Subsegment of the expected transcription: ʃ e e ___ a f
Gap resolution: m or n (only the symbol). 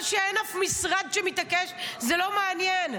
n